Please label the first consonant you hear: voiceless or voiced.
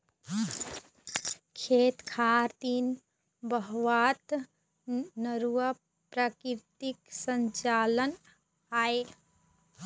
voiceless